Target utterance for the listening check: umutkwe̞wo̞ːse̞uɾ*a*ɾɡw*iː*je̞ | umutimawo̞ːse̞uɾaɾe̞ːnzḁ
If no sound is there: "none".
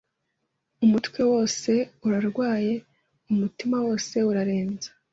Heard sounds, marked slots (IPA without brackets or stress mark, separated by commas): a, aː